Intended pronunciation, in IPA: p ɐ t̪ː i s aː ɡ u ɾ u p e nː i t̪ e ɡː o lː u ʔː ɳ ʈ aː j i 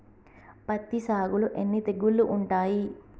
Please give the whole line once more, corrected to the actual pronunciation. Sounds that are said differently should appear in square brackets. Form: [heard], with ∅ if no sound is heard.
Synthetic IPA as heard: p ɐ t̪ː i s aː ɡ u [l] u [ʔ] e nː i t̪ e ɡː [u] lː u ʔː ɳ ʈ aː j i